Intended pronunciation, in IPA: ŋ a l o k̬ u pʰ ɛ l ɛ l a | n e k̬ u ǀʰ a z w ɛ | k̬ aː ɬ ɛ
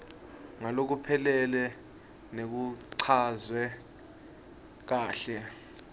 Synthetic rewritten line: ŋ a l o k̬ u pʰ ɛ l ɛ l ɛ | n e k̬ u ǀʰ a z w ɛ | k̬ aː ɬ ɛ